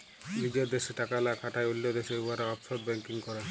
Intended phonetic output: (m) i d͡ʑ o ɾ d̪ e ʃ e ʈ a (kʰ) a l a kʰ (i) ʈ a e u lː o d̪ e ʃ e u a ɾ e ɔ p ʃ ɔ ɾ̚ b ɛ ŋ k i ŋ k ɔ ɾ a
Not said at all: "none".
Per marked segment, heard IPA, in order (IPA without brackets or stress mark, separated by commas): n, k, a